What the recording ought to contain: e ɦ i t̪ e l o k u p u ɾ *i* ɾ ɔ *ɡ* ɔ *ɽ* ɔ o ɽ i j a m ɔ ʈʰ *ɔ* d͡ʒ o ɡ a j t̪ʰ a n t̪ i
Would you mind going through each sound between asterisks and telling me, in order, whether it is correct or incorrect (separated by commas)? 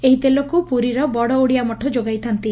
correct, incorrect, correct, correct